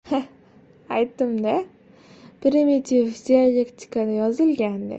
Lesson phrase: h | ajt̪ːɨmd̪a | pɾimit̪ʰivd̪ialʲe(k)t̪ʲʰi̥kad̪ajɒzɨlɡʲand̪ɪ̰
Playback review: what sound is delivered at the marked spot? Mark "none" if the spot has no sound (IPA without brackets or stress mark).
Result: k